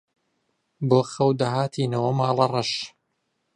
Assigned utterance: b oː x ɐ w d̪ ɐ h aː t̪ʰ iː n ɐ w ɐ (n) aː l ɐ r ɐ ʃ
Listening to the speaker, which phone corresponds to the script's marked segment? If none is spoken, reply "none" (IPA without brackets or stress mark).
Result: m